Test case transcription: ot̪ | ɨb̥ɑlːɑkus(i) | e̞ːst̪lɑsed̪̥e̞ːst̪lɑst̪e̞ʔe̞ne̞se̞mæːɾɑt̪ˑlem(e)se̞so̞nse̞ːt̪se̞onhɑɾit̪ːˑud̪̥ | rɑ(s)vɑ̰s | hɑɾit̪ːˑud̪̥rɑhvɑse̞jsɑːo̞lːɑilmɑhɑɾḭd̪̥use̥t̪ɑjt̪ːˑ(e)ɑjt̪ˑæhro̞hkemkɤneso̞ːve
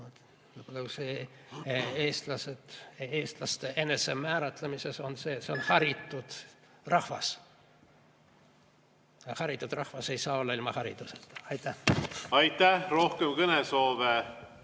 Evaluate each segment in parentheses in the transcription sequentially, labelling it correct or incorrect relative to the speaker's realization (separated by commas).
incorrect, incorrect, incorrect, incorrect